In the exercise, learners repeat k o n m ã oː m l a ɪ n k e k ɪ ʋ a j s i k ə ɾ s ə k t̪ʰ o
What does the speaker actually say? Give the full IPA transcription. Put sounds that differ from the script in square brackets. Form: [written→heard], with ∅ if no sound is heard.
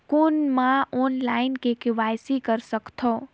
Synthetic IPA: k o n m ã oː [m→n] l a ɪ n k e k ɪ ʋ a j s i k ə ɾ s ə k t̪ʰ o